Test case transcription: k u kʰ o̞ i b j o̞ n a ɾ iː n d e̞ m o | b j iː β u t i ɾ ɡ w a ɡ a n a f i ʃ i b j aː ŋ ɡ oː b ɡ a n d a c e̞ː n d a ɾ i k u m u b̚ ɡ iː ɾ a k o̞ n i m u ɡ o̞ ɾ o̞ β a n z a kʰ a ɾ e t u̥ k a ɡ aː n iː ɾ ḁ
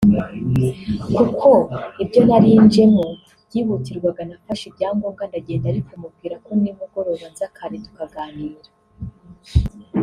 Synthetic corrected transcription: k u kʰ o̞ i b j o̞ n a ɾ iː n d͡ʒ e̞ m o | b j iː β u t i ɾ ɡ w a ɡ a n a f a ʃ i b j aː ŋ ɡ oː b ɡ a n d a ɟ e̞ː n d a ɾ i k u m u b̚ ɡ iː ɾ a k o̞ n i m u ɡ o̞ ɾ o̞ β a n z a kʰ a ɾ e t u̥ k a ɡ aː n iː ɾ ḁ

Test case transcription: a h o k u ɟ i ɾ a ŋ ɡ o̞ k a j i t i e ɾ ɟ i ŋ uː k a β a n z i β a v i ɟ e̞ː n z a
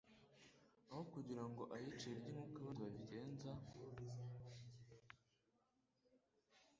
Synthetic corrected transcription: a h o k u ɟ i ɾ a ŋ ɡ o̞ ʔ a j i t͡ʃ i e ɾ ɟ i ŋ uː k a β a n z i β a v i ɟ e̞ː n z a

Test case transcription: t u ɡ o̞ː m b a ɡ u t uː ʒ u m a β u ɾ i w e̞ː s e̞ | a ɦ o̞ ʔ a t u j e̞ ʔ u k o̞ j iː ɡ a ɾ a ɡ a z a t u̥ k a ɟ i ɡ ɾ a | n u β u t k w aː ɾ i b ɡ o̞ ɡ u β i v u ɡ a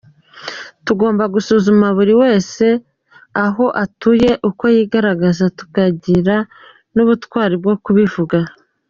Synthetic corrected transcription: t u ɡ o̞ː m b a ɡ u s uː z u m a β u ɾ i w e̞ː s e̞ | a ɦ o̞ ʔ a t u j e̞ ʔ u k o̞ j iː ɡ a ɾ a ɡ a z a t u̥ k a ɟ i ɾ a | n u β u t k w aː ɾ i b ɡ o̞ k u β i v u ɡ a

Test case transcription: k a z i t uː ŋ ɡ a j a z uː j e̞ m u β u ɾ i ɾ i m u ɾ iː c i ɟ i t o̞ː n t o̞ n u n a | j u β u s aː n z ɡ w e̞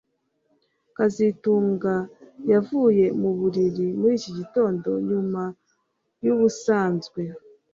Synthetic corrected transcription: k a z i t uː ŋ ɡ a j a v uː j e̞ m u β u ɾ i ɾ i m u ɾ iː c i ɟ i t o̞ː n d o̞ ɲ u m a | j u β u s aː n z ɡ w e̞

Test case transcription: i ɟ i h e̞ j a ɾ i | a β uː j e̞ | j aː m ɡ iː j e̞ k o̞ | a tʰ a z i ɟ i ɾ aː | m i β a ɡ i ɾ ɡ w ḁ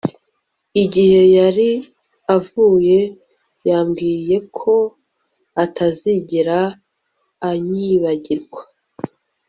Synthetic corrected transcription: i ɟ i h e̞ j a ɾ i | a v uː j e̞ | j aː m ɡ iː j e̞ kʰ o̞ | a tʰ a z i ɟ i ɾ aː | ɲ i β a ɟ i ɾ ɡ w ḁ

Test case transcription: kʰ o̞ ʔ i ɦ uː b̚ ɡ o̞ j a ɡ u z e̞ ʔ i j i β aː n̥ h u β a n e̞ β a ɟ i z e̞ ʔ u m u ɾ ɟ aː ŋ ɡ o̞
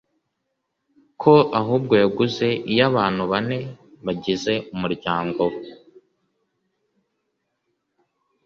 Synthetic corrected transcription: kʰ o̞ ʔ a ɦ uː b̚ ɡ o̞ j a ɡ u z e̞ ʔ i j a β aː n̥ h u β a n e̞ β a ɟ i z e̞ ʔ u m u ɾ ɟ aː ŋ ɡ o̞

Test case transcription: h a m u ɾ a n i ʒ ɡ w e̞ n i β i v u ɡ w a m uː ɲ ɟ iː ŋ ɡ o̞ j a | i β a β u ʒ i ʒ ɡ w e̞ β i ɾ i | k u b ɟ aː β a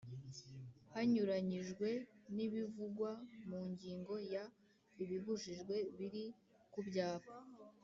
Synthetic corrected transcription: h a ɲ u ɾ a ɲ i ʒ ɡ w e̞ n i β i v u ɡ w a m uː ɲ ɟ iː ŋ ɡ o̞ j a | i β i β u ʒ i ʒ ɡ w e̞ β i ɾ i | k u b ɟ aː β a

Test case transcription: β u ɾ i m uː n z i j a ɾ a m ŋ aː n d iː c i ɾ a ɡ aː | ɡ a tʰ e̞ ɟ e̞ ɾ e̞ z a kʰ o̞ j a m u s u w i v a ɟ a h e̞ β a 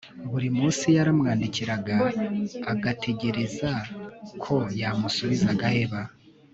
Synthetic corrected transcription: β u ɾ i m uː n s i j a ɾ a m ŋ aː n d i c i ɾ a ɡ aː | ɡ a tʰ e̞ ɟ e̞ ɾ e̞ z a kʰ o̞ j a m u s u β i z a ɡ a h e̞ β a

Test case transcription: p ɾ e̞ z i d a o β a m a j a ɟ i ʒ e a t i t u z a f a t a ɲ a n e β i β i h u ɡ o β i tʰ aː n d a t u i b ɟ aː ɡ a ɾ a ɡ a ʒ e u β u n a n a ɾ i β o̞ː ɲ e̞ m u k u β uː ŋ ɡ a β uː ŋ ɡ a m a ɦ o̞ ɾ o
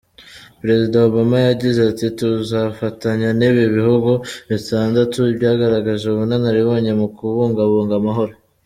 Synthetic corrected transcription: p ɾ e̞ z i d a o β a m a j a ɟ i z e a t i t u z a f a t a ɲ a n e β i β i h u ɡ o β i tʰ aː n d a t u i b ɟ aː ɡ a ɾ a ɡ a ʒ e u β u n a n a ɾ i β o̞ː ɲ e̞ m u k u β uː ŋ ɡ a β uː ŋ ɡ a m a ɦ o̞ ɾ o

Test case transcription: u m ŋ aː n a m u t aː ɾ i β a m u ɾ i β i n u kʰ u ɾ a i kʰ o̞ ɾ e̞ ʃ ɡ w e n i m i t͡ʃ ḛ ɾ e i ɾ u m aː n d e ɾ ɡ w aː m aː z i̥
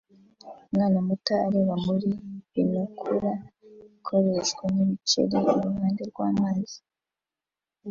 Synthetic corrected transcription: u m ŋ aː n a m u t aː ɾ e β a m u ɾ i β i n u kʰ u ɾ a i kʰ o̞ ɾ e̞ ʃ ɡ w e n i m i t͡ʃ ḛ ɾ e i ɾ u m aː n d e ɾ ɡ w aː m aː z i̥

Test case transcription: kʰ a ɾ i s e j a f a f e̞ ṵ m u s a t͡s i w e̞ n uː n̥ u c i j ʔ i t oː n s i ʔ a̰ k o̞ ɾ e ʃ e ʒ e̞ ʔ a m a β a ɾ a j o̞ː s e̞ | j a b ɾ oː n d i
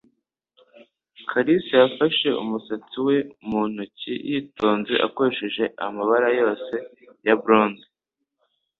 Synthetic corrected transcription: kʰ a ɾ i s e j a f a ʃ e̞ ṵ m u s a t͡s i w e̞ m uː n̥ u c i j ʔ i t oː n z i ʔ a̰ k o̞ ɾ e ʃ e ʒ e̞ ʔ a m a β a ɾ a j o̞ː s e̞ | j a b ɾ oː n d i

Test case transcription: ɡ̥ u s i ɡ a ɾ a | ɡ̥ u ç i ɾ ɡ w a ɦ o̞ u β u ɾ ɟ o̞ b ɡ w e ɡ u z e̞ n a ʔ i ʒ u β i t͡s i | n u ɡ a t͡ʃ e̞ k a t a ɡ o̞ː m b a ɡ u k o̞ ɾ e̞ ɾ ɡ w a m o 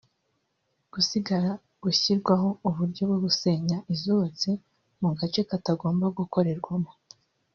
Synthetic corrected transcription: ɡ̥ u s i ɡ a ɾ a | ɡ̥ u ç i ɾ ɡ w a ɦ o̞ u β u ɾ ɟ o̞ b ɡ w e ɡ u s e̞ ɲ a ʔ i z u β a t͡s i | m u ɡ a t͡ʃ e̞ k a t a ɡ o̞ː m b a ɡ u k o̞ ɾ e̞ ɾ ɡ w a m o

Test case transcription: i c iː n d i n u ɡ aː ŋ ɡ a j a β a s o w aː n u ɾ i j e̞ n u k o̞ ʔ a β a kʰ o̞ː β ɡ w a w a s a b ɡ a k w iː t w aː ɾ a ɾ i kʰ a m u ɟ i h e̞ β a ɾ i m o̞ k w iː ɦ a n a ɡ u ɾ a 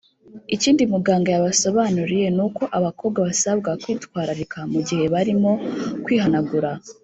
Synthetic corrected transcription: i c iː n d i m u ɡ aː ŋ ɡ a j a β a s o β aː n u ɾ i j e̞ n u k o̞ ʔ a β a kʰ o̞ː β ɡ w a β a s a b ɡ a k w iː t w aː ɾ a ɾ i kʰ a m u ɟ i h e̞ β a ɾ i m o̞ k w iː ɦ a n a ɡ u ɾ a

